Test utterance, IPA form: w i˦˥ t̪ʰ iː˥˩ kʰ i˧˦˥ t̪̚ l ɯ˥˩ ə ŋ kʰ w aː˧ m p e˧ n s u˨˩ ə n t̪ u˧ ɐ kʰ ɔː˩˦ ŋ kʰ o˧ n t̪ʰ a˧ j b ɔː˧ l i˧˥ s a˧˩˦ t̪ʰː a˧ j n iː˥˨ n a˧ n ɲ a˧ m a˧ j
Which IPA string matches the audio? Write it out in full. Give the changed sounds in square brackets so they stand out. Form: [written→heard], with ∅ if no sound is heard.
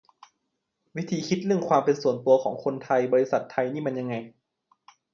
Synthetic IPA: w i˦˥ t̪ʰ [iː˥˩→iː˨˧˦] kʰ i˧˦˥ t̪̚ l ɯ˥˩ ə ŋ kʰ w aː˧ m p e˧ n s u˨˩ ə n t̪ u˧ ɐ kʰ ɔː˩˦ ŋ kʰ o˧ n t̪ʰ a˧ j b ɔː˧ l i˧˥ s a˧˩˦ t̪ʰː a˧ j n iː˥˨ [n→m] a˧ n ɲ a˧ [m→ŋ] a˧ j